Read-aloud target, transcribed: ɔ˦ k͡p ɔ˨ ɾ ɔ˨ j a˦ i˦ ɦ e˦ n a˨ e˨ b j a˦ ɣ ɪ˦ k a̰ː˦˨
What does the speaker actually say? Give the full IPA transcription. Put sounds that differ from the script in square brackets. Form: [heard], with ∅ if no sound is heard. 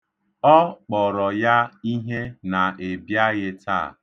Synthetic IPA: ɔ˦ k͡p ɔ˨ ɾ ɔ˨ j a˦ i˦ ɦ e˦ n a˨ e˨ b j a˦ ɣ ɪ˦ [t] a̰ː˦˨